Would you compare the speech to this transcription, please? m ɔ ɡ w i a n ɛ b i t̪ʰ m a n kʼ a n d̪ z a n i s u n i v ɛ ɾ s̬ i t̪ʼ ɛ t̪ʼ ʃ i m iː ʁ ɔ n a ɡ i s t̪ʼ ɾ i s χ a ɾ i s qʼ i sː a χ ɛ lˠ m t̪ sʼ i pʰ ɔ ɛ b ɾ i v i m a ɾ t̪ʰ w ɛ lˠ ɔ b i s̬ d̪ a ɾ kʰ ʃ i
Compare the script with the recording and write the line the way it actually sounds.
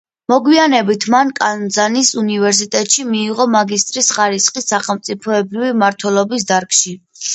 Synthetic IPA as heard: m ɔ ɡ w i a n ɛ b i t̪ʰ m a n kʼ a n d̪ z a n i s u n i v ɛ ɾ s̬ i t̪ʼ ɛ t̪ʼ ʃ i m iː ʁ ɔ m a ɡ i s t̪ʼ ɾ i s χ a ɾ i s qʼ i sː a χ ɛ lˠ m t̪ sʼ i pʰ ɔ ɛ b ɾ i v i m a ɾ t̪ʰ w ɛ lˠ ɔ b i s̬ d̪ a ɾ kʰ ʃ i

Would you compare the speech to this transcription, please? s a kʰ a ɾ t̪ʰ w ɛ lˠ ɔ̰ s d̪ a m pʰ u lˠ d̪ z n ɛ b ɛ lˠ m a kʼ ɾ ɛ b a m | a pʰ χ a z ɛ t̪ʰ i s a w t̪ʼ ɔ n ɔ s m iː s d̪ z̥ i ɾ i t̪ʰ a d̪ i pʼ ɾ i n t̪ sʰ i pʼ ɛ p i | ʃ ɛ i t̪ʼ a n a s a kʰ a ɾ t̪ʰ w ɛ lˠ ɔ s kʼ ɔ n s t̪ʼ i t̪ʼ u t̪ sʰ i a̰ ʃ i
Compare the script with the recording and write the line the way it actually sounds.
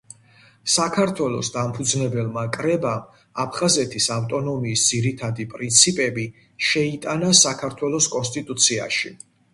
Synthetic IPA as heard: s a kʰ a ɾ t̪ʰ w ɛ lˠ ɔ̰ s d̪ a m pʰ u d̪ z n ɛ b ɛ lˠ m a kʼ ɾ ɛ b a m | a pʰ χ a z ɛ t̪ʰ i s a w t̪ʼ ɔ n ɔ m iː s d̪ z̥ i ɾ i t̪ʰ a d̪ i pʼ ɾ i n t̪ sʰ i pʼ ɛ b i | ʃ ɛ i t̪ʼ a n a s a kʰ a ɾ t̪ʰ w ɛ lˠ ɔ s kʼ ɔ n s t̪ʼ i t̪ʼ u t̪ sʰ i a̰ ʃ i

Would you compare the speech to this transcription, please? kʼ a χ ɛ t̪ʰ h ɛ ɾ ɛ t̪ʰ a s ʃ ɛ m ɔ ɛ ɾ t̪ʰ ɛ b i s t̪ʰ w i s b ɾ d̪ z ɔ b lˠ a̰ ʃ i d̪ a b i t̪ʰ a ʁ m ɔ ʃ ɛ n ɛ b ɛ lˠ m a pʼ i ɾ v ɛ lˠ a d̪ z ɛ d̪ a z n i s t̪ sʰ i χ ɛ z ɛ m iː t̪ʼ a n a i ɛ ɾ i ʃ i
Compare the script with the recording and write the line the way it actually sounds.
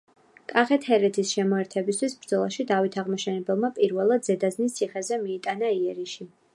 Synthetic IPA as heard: kʼ a χ ɛ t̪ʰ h ɛ ɾ ɛ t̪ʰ i s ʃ ɛ m ɔ ɛ ɾ t̪ʰ ɛ b i s t̪ʰ w i s b ɾ d̪ z ɔ lˠ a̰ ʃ i d̪ a v i t̪ʰ a ʁ m ɔ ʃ ɛ n ɛ b ɛ lˠ m a pʼ i ɾ v ɛ lˠ a d̪ z ɛ d̪ a z n i s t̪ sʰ i χ ɛ z ɛ m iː t̪ʼ a n a i ɛ ɾ i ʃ i

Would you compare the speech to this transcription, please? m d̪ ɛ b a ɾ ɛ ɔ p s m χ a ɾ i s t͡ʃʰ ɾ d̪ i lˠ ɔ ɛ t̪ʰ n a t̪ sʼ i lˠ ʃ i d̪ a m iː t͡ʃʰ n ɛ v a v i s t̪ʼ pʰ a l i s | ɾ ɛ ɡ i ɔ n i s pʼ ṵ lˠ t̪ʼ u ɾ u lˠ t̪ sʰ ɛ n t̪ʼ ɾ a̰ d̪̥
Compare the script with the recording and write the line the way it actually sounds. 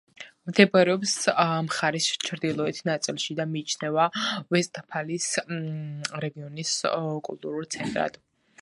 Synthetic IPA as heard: m d̪ ɛ b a ɾ ɛ ɔ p s m χ a ɾ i s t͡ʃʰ ɾ d̪ i lˠ ɔ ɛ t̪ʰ n a t̪ sʼ i lˠ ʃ i d̪ a m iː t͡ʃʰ n ɛ v a v ɛ s t̪ʼ pʰ a l i s | ɾ ɛ ɡ i ɔ n i s kʼ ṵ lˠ t̪ʼ u ɾ u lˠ t̪ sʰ ɛ n t̪ʼ ɾ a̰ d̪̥

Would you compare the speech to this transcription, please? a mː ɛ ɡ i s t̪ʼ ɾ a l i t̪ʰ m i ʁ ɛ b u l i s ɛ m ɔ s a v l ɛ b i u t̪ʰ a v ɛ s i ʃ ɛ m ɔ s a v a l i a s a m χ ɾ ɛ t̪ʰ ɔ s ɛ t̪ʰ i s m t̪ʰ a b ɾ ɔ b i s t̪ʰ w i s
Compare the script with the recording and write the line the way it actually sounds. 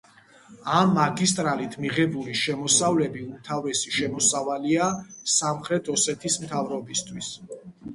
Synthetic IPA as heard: a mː a ɡ i s t̪ʼ ɾ a l i t̪ʰ m i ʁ ɛ b u l i ʃ ɛ m ɔ s a v l ɛ b i u t̪ʰ a v ɛ s i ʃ ɛ m ɔ s a v a l i a s a m χ ɾ ɛ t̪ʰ ɔ s ɛ t̪ʰ i s m t̪ʰ a v ɾ ɔ b i s t̪ʰ w i s

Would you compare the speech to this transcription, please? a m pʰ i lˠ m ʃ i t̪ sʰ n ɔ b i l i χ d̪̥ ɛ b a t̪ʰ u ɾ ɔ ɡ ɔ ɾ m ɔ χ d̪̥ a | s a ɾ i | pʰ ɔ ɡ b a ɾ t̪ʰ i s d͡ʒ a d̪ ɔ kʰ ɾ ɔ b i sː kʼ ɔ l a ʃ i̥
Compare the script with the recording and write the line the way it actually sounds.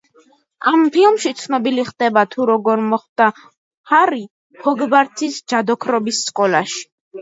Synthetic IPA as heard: a m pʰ i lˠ m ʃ i t̪ sʰ n ɔ b i l i χ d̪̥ ɛ b a t̪ʰ u ɾ ɔ ɡ ɔ ɾ m ɔ χ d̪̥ a | h a ɾ i | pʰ ɔ ɡ b a ɾ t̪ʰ i s d͡ʒ a d̪ ɔ kʰ ɾ ɔ b i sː kʼ ɔ l a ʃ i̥

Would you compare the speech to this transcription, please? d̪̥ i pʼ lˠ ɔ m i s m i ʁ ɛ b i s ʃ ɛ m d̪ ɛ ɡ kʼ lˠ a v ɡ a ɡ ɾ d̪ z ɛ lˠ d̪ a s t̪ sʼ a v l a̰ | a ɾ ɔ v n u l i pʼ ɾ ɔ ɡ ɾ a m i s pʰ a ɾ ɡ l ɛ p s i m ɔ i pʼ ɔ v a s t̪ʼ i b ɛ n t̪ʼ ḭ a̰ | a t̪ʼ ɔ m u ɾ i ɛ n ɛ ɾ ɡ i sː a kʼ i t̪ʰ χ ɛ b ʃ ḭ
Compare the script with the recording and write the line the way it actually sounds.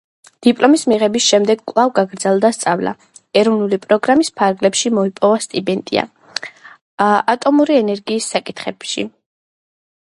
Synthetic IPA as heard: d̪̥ i pʼ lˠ ɔ m i s m i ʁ ɛ b i s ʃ ɛ m d̪ ɛ ɡ kʼ lˠ a v ɡ a ɡ ɾ d̪ z ɛ lˠ d̪ a s t̪ sʼ a v l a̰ | ɛ ɾ ɔ v n u l i pʼ ɾ ɔ ɡ ɾ a m i s pʰ a ɾ ɡ l ɛ p ʃ i m ɔ i pʼ ɔ v a s t̪ʼ i b ɛ n t̪ʼ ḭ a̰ | a t̪ʼ ɔ m u ɾ i ɛ n ɛ ɾ ɡ iː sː a kʼ i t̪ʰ χ ɛ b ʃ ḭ

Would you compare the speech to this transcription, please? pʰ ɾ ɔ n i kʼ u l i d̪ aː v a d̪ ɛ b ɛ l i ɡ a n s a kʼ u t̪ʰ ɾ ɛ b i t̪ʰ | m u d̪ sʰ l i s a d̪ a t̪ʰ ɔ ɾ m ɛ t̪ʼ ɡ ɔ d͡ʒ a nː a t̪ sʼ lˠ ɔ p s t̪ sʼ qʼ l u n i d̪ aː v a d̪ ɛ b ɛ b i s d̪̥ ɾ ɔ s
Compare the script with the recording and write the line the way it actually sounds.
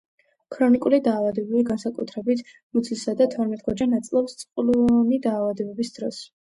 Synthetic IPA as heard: kʰ ɾ ɔ n i kʼ u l i d̪ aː v a d̪ ɛ b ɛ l i ɡ a n s a kʼ u t̪ʰ ɾ ɛ b i t̪ʰ | m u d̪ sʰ l i s a d̪ a t̪ʰ ɔ ɾ m ɛ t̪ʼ ɡ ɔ d͡ʒ a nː a t̪ sʼ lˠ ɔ p s t̪ sʼ qʼ l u n i d̪ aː v a d̪ ɛ b ɛ b i s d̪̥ ɾ ɔ s

